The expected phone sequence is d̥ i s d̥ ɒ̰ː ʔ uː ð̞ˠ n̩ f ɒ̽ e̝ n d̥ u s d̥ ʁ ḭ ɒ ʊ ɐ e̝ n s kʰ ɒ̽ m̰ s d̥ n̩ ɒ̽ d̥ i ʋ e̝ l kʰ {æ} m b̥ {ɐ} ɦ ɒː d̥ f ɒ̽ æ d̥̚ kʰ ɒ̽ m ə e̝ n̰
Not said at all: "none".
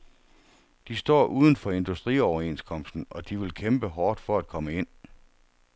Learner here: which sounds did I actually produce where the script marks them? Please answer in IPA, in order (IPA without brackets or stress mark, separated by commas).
e, ə